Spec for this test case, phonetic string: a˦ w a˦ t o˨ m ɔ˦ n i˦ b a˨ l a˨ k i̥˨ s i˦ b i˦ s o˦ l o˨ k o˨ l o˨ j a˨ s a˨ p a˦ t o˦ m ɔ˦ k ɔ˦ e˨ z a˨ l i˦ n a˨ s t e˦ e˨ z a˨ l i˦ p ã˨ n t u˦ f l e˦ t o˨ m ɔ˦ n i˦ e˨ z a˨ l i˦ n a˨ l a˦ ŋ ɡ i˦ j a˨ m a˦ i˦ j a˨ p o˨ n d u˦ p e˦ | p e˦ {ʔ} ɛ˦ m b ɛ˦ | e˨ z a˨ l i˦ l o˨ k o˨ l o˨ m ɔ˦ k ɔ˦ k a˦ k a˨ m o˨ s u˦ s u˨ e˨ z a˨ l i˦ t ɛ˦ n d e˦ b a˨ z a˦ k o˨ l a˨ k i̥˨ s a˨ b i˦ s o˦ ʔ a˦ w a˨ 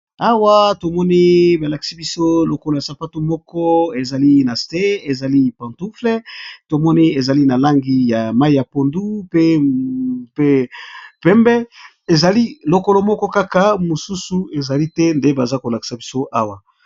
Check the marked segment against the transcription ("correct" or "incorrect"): incorrect